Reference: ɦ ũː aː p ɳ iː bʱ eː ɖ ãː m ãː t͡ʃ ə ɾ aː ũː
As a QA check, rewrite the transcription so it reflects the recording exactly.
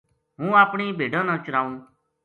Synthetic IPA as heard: ɦ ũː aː p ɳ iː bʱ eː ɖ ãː n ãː t͡ʃ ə ɾ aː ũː